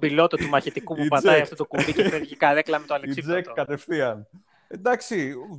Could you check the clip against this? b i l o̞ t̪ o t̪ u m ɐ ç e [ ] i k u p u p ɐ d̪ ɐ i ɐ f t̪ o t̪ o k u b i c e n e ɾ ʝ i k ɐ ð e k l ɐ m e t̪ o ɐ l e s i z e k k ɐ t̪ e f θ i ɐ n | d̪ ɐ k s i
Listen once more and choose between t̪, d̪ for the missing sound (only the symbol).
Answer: t̪